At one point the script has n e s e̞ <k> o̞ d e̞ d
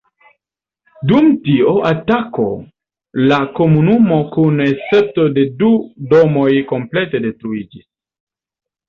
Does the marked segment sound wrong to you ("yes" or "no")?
yes